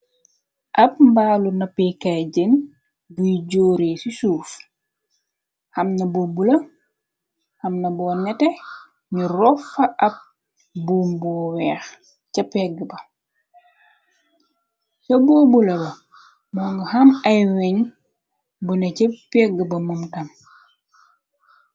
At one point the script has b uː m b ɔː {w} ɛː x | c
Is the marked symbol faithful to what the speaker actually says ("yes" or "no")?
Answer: yes